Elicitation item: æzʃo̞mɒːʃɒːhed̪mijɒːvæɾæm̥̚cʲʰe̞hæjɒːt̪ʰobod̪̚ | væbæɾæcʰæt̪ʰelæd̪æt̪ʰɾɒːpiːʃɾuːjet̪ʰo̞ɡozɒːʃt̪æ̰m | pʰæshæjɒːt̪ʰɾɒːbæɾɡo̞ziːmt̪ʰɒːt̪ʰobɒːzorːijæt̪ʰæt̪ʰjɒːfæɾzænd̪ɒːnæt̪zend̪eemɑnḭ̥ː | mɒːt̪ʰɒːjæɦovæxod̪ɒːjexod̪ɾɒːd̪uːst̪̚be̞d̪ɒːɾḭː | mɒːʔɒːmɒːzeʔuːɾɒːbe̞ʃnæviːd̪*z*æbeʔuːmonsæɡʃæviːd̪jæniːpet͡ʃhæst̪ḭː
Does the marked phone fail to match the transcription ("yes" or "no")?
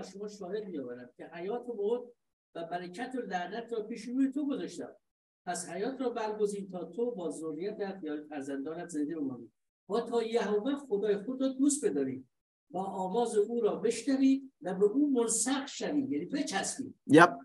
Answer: yes